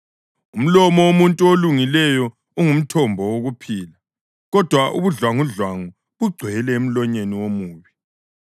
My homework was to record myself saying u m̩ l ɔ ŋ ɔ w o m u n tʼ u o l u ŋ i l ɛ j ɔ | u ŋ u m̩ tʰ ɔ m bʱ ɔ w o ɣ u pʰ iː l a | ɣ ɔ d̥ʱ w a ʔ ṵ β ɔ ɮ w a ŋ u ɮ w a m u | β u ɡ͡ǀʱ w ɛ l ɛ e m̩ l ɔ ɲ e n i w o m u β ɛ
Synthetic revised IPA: u m̩ l ɔ m ɔ w o m u n tʼ u o l u ŋ i l ɛ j ɔ | u ŋ u m̩ tʰ ɔ m bʱ ɔ w o ɣ u pʰ iː l a | ɣ ɔ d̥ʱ w a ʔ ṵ β u ɮ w a ŋ u ɮ w a ŋ u | β u ɡ͡ǀʱ w ɛ l ɛ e m̩ l ɔ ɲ e n i w o m uː β i

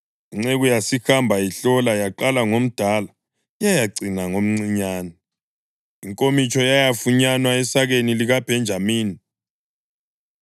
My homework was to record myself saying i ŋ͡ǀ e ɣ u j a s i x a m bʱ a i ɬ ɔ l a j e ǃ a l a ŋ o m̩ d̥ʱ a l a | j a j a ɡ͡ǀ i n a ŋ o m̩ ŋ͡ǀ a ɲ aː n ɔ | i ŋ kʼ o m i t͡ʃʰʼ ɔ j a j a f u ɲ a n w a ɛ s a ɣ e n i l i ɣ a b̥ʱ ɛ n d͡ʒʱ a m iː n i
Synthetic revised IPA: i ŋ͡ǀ e ɣ u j a s i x a m bʱ a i ɬ ɔ l a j a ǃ a l a ŋ o m̩ d̥ʱ a l a | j a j a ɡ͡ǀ i n a ŋ o m̩ ŋ͡ǀ i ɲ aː n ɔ | i ŋ kʼ o m i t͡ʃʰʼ ɔ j a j a f u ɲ a n w a ɛ s a ɣ e n i l i ɣ a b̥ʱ ɛ n d͡ʒʱ a m iː n i

